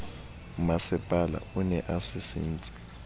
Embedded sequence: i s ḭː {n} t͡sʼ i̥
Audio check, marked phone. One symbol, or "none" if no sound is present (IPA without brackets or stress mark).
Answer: n